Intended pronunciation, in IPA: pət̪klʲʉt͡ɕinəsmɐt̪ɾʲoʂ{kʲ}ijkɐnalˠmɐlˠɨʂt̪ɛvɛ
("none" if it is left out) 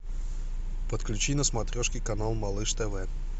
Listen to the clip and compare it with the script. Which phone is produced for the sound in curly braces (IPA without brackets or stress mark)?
kʲ